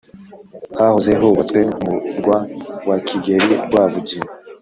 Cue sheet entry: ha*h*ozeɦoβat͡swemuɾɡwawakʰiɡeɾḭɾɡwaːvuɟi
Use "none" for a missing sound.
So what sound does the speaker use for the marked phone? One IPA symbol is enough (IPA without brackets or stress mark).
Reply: h